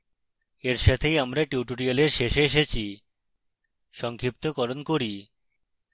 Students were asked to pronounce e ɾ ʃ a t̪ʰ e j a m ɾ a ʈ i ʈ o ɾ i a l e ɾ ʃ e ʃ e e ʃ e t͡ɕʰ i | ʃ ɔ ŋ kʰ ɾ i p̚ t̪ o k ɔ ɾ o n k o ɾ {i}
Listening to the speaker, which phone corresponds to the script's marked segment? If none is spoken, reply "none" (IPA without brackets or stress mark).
i